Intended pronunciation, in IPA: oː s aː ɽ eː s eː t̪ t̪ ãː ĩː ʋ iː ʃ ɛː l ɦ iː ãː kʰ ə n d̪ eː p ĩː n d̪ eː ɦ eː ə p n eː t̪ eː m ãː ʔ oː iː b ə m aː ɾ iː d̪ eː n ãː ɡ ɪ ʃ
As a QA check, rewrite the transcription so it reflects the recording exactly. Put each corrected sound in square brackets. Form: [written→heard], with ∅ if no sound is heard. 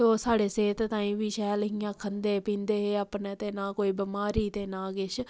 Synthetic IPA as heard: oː s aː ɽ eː s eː t̪ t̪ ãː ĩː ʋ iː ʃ ɛː l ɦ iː ãː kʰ ə n d̪ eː p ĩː n d̪ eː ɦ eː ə p n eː t̪ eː [m→n] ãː [ʔ→k] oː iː b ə m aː ɾ iː [d̪→t̪] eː n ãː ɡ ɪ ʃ